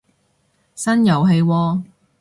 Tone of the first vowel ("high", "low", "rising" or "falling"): high